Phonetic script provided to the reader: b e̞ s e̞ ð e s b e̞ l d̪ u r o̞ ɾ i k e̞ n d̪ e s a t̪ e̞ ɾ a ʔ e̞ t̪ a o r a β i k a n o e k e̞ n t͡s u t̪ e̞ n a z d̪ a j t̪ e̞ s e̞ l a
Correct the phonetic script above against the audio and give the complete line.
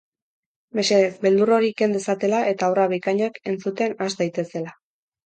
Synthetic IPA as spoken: m e̞ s e̞ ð e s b e̞ l d̪ u r o̞ ɾ i k e̞ n d̪ e s a t̪ e̞ l a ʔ e̞ t̪ a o r a β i k a ɲ o e k e̞ n t͡s u t̪ e̞ n a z d̪ a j t̪ e̞ s e̞ l a